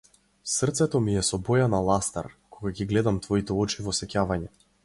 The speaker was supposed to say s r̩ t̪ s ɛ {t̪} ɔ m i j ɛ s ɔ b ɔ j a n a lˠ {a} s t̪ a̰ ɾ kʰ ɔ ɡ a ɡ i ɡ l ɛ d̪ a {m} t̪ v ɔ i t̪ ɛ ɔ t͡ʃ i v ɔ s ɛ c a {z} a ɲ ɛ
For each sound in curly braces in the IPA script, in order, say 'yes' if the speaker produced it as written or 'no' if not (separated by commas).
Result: yes, yes, yes, no